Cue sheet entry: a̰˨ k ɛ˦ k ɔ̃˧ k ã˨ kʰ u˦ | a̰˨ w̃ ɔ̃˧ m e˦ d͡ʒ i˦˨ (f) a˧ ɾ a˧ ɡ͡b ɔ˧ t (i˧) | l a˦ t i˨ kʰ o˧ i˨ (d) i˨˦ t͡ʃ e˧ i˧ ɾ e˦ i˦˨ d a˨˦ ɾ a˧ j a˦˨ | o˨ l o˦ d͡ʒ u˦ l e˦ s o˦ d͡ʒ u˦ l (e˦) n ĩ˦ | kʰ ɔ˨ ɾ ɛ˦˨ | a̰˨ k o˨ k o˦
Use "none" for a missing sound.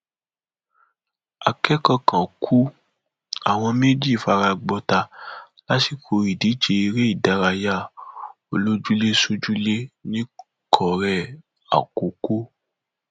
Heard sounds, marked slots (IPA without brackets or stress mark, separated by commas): f, a˧, d, e˦